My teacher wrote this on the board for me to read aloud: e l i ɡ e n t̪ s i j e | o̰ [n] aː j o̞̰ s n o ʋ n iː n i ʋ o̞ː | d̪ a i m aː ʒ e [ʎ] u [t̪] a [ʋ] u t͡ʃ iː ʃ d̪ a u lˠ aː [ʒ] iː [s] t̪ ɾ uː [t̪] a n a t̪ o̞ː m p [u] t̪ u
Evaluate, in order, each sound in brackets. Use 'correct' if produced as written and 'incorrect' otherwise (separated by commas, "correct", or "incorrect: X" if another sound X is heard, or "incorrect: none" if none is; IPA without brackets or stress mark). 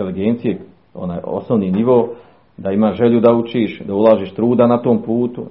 correct, correct, incorrect: d̪, incorrect: none, correct, incorrect: ʃ, incorrect: d̪, incorrect: uː